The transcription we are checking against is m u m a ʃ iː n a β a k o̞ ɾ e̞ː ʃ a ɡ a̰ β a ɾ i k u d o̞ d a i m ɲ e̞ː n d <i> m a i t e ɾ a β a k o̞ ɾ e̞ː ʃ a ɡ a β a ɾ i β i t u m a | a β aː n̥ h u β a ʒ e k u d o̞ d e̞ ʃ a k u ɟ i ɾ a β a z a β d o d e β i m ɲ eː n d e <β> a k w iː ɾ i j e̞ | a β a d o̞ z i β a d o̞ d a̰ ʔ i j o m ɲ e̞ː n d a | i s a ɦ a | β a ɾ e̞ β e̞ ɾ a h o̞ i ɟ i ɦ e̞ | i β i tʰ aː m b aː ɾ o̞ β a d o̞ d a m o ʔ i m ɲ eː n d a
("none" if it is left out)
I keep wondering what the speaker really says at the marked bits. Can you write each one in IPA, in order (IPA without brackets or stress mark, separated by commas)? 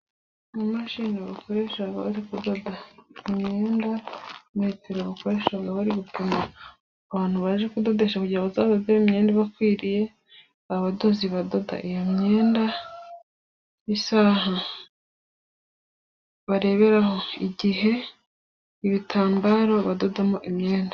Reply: a, β